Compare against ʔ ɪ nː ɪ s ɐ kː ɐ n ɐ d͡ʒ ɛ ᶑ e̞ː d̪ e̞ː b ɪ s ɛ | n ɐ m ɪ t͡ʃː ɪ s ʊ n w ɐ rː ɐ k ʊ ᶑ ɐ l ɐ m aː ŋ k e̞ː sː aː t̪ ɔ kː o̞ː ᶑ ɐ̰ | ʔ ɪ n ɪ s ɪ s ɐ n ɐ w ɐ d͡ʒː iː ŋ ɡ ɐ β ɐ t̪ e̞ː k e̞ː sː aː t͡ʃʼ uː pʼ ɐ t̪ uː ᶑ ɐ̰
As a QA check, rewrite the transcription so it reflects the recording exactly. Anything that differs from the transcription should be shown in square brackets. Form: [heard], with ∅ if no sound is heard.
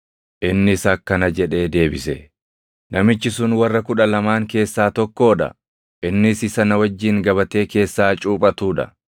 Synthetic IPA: ʔ ɪ nː ɪ s ɐ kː ɐ n ɐ d͡ʒ ɛ ᶑ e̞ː d̪ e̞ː b ɪ s ɛ | n ɐ m ɪ t͡ʃː ɪ s ʊ n w ɐ rː ɐ k ʊ ᶑ ɐ l ɐ m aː ŋ k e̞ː sː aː t̪ ɔ kː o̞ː ᶑ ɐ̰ | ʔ ɪ [nː] ɪ s ɪ s ɐ n ɐ w ɐ d͡ʒː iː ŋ ɡ ɐ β ɐ t̪ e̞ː k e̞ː sː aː t͡ʃʼ uː pʼ ɐ t̪ uː ᶑ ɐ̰